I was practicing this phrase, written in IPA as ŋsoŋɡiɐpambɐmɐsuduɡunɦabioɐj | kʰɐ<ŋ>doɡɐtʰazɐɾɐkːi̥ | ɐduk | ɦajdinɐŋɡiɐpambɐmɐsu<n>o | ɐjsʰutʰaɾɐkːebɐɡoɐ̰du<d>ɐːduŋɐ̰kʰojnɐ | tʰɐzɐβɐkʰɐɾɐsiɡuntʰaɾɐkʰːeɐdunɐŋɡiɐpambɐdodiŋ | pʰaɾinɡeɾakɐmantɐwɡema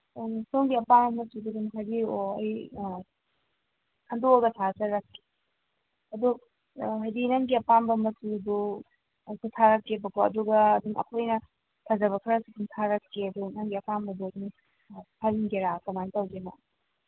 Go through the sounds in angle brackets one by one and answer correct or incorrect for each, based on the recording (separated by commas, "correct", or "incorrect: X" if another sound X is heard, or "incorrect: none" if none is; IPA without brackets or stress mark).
incorrect: n, incorrect: d, incorrect: ɡ